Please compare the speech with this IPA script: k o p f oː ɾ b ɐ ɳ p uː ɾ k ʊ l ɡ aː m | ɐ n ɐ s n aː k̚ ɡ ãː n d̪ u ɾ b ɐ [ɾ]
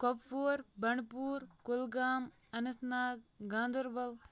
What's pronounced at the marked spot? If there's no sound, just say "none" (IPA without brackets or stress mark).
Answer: l